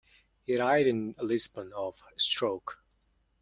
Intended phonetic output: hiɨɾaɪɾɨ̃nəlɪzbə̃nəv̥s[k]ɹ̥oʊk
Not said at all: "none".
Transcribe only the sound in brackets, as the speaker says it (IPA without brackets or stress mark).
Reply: t